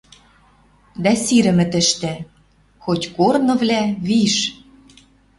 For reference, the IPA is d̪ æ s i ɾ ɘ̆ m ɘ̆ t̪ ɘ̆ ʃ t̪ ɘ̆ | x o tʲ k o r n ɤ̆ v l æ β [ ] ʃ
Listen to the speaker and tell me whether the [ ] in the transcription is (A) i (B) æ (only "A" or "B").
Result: A